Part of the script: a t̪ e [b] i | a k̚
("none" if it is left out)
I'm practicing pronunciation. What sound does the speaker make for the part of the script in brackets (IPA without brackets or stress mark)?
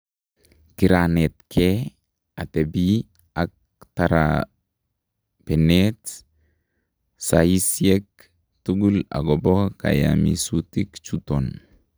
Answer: b